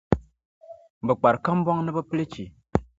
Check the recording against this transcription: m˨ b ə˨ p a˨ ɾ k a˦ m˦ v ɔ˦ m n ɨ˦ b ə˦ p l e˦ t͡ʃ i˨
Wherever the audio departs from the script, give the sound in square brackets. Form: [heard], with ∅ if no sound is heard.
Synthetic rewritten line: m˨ b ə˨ [k͡p] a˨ ɾ k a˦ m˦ [b] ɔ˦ [ŋ] n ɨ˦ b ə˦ p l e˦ t͡ʃ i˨